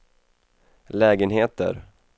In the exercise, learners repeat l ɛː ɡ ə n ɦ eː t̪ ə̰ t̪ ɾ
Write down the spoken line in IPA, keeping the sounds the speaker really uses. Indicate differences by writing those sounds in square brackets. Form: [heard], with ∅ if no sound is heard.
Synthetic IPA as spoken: l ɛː ɡ ə n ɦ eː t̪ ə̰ [∅] ɾ